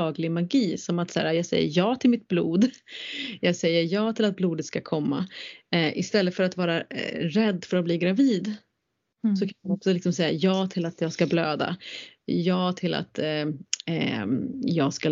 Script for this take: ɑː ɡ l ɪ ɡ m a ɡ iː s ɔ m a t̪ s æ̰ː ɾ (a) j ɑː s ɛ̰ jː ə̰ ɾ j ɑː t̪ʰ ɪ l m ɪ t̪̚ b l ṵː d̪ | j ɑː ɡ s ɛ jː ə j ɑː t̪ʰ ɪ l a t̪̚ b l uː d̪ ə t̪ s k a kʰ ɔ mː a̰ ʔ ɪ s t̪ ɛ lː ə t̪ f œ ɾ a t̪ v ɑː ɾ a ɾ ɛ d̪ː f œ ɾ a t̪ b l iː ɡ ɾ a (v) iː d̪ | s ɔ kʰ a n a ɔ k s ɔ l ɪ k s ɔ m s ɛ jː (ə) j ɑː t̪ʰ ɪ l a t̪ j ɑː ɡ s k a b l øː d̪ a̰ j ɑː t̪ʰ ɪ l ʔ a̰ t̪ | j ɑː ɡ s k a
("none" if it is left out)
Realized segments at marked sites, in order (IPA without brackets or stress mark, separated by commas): a, v, a